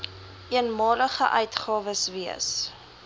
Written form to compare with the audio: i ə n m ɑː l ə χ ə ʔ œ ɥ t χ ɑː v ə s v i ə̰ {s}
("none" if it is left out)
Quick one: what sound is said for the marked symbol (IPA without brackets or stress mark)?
s